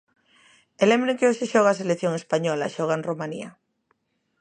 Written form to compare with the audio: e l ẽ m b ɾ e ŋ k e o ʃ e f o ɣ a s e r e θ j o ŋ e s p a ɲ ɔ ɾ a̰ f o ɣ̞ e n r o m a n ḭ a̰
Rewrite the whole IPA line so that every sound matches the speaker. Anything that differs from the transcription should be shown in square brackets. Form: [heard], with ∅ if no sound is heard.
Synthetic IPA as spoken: e l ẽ m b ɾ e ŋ k e o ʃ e [ʃ] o ɣ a s e [l] e θ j o ŋ e s p a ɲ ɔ [l] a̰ [ʃ] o ɣ̞ [a] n r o m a n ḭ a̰